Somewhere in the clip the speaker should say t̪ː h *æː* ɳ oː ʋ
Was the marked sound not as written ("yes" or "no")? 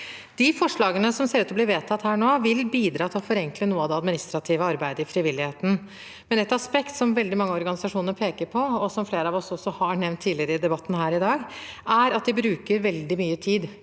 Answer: no